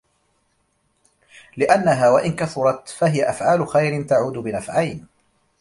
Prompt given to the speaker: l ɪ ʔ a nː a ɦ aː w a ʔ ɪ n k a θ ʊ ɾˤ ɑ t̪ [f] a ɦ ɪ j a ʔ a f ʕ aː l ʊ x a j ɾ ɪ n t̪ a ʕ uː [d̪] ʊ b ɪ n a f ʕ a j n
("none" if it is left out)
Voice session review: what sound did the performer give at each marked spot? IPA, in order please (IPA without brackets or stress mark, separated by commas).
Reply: f, d̪